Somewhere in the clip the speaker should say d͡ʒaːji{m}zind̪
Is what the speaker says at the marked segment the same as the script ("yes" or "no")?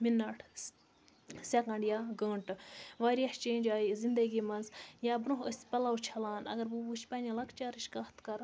no